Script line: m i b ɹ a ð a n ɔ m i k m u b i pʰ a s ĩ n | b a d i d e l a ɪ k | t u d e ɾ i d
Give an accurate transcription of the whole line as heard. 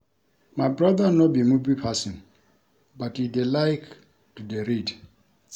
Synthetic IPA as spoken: m a b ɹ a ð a n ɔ b i m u b i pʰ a s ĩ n | b a t i d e l a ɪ k | t u d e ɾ i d